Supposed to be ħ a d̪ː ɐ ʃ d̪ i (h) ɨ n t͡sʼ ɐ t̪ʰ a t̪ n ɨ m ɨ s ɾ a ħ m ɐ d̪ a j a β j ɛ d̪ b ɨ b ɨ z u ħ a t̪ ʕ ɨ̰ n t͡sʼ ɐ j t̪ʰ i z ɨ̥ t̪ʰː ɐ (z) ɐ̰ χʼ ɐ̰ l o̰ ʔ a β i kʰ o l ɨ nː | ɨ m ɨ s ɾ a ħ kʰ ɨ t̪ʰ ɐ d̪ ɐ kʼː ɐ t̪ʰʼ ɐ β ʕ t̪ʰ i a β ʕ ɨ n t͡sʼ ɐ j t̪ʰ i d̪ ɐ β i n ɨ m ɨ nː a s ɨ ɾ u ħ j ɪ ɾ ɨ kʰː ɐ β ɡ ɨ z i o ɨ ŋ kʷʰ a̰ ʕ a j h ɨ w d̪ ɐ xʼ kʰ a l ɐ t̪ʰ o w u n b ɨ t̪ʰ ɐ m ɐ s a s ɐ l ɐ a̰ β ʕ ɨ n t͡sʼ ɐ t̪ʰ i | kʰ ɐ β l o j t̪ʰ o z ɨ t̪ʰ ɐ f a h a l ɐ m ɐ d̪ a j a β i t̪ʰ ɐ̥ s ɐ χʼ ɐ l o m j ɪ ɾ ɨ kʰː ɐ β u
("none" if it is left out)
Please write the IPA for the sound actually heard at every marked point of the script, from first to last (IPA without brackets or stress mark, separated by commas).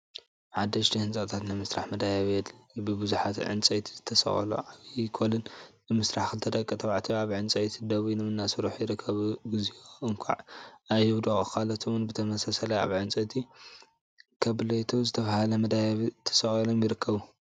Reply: h, s